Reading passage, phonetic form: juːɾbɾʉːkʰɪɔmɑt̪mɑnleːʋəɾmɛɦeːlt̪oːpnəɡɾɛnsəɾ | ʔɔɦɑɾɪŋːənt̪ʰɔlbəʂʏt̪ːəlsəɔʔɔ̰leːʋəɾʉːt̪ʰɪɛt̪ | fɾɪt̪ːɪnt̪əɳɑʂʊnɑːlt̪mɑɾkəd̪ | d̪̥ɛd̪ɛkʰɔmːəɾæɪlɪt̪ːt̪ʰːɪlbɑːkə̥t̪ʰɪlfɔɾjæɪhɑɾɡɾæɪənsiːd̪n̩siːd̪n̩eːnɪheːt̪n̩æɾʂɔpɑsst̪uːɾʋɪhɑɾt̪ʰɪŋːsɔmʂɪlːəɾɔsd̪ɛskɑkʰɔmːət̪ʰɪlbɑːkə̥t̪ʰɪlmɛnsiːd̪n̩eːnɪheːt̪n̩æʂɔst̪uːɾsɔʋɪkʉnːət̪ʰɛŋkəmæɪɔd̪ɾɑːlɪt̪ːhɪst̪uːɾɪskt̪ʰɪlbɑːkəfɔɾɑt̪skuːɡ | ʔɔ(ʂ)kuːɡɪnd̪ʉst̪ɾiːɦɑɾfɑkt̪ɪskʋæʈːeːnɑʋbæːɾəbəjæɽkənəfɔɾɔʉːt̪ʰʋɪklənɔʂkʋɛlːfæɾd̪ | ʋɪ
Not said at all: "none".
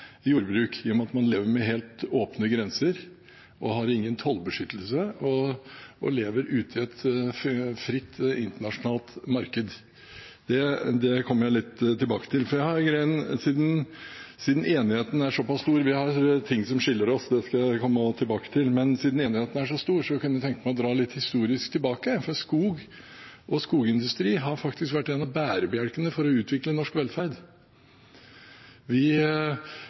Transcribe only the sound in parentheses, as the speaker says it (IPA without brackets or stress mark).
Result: s